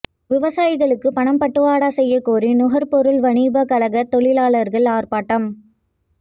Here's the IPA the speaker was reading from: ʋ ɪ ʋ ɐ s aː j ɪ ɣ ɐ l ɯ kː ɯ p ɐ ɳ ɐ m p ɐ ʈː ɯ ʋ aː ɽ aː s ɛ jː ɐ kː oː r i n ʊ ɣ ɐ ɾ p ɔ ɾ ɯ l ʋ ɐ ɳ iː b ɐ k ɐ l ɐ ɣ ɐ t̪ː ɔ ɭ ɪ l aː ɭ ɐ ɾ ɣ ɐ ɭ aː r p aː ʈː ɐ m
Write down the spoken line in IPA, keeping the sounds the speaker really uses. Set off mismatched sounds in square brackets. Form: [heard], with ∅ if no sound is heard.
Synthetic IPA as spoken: ʋ ɪ ʋ ɐ s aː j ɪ ɣ ɐ [ɭ] ɯ kː ɯ p ɐ ɳ ɐ m p ɐ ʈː ɯ ʋ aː ɽ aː s ɛ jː ɐ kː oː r i n ʊ ɣ ɐ ɾ p ɔ ɾ ɯ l ʋ ɐ ɳ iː b ɐ k ɐ l ɐ ɣ ɐ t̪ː ɔ ɭ ɪ l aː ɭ ɐ ɾ ɣ ɐ ɭ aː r p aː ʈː ɐ m